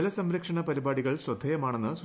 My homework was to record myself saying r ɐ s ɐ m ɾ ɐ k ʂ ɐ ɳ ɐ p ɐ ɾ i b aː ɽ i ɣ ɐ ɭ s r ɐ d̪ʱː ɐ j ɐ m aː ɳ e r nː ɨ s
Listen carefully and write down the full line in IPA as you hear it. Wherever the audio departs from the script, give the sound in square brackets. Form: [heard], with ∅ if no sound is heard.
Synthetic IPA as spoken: [l] ɐ s ɐ m ɾ ɐ k ʂ ɐ ɳ ɐ p ɐ ɾ i b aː ɽ i ɣ ɐ ɭ s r ɐ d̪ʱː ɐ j ɐ m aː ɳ e [∅] nː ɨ s